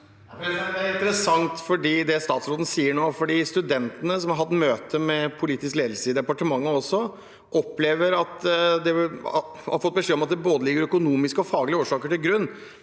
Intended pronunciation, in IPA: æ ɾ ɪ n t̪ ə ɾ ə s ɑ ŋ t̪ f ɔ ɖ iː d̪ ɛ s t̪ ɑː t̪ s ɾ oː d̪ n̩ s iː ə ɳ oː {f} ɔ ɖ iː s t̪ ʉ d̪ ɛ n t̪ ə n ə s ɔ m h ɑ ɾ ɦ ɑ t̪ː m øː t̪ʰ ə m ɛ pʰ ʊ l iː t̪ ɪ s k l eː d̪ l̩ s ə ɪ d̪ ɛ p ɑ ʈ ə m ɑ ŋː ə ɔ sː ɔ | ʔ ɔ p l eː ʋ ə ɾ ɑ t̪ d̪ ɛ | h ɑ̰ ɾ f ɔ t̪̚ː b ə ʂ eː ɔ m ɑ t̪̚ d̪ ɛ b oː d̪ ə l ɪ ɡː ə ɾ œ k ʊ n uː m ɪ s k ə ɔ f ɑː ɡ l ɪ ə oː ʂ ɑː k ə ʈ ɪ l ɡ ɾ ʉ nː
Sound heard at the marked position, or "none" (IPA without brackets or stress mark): f